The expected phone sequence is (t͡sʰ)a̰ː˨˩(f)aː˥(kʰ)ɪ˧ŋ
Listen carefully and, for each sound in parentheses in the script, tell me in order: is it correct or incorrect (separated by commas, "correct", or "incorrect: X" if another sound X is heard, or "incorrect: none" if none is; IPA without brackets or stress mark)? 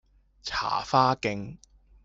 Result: correct, correct, incorrect: k